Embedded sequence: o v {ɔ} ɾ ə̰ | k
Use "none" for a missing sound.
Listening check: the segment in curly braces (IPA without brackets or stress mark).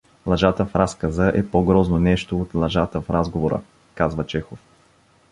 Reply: o